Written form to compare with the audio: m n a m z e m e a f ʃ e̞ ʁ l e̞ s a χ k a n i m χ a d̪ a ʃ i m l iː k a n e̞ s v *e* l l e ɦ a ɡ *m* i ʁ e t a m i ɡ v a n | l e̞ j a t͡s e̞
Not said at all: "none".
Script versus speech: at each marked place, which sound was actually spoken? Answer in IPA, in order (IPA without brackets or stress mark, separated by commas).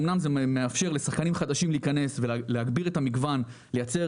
e, b